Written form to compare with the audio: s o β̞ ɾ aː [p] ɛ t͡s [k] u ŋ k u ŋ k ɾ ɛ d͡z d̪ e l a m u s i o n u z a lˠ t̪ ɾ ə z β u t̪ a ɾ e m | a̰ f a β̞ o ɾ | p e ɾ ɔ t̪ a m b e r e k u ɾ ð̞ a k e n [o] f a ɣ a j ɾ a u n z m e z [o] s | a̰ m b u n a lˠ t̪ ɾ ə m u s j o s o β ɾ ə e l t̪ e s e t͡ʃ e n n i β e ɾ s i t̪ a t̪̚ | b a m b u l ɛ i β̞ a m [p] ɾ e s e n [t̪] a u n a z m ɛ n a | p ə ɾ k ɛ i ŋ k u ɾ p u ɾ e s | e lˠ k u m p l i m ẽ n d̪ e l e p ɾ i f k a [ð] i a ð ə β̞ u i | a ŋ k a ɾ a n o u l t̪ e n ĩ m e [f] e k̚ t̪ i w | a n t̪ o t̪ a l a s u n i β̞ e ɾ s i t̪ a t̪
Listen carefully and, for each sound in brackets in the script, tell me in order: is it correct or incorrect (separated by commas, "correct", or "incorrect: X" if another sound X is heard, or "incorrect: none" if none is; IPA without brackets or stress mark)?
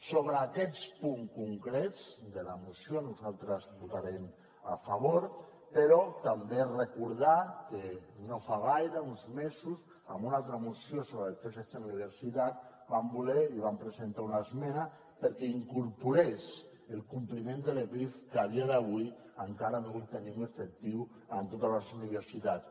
incorrect: k, incorrect: p, correct, incorrect: u, correct, correct, correct, correct